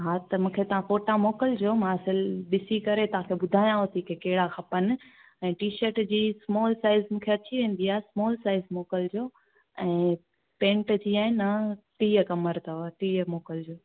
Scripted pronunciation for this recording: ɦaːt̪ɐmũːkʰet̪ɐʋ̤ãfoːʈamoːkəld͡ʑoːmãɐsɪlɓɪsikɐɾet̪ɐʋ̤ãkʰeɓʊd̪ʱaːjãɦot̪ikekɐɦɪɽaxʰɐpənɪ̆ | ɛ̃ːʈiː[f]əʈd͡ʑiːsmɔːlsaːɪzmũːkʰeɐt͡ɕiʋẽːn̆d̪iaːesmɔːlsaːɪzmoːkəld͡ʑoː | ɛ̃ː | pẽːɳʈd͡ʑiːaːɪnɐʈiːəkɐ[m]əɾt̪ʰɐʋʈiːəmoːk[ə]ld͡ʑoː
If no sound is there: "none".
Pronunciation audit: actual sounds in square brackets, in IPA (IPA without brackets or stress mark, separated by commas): ʃ, m, ə